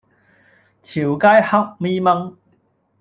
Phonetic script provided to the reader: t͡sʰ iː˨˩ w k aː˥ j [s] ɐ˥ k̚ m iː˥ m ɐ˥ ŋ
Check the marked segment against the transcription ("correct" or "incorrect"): incorrect